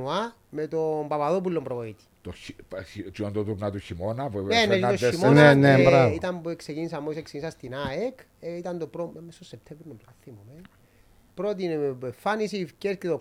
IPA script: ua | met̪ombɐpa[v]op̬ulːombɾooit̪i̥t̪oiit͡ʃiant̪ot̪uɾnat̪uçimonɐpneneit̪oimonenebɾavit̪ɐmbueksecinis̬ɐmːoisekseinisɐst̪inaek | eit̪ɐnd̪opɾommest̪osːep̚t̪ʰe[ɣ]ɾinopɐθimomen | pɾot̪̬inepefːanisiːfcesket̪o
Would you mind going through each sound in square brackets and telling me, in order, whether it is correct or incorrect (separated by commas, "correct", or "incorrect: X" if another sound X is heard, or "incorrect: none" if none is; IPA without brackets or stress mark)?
incorrect: ð, incorrect: v